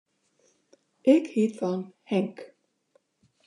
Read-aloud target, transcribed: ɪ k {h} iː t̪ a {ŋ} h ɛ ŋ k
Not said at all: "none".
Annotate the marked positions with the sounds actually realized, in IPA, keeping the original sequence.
h, n

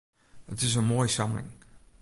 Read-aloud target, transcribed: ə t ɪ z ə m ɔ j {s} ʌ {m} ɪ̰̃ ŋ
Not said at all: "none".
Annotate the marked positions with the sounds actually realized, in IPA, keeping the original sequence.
s, m

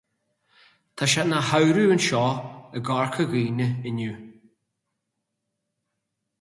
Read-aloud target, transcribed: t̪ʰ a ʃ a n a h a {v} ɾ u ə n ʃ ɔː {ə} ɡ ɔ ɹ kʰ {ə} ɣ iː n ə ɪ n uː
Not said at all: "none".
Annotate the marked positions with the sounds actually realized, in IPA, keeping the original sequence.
w, ə, ə

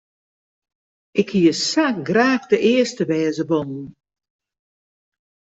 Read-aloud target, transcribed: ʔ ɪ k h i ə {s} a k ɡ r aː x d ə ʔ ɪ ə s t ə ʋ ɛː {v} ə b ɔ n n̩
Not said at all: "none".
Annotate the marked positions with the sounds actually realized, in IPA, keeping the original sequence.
s, z

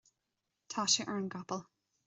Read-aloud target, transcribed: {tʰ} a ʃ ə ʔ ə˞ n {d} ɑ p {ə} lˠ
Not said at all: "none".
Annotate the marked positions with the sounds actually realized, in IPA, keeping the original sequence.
tʰ, ɡ, ə

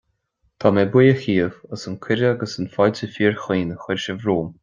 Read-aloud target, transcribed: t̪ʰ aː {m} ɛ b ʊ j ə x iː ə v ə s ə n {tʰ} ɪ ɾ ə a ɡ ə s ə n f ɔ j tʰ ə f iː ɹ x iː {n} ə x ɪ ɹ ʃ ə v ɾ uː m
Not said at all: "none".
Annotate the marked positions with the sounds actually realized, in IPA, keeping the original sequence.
m, kʰ, n

